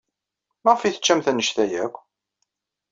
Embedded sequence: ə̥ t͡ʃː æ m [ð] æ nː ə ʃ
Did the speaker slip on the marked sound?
yes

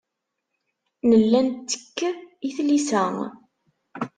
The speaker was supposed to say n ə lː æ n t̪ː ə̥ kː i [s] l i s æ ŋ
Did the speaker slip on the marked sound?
yes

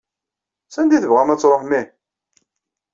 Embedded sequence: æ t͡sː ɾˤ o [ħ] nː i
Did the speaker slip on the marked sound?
no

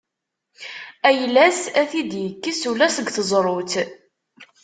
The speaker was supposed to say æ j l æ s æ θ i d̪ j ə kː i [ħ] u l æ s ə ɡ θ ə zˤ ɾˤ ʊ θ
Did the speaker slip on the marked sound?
yes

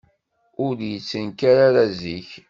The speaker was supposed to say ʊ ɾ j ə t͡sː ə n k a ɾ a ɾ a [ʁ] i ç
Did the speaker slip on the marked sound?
yes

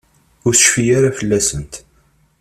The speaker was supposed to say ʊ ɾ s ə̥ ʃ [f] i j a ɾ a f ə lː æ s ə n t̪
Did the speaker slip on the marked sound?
no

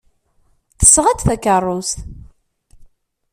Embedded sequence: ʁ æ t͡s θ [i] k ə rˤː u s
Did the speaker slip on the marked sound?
yes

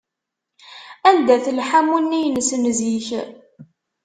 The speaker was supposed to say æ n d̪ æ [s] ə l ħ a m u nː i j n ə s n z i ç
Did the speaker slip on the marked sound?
yes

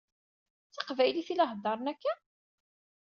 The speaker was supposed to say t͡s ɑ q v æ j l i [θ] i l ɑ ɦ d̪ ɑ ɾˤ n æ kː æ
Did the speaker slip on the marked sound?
no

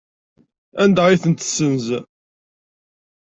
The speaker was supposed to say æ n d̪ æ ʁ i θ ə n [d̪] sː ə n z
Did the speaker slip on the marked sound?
yes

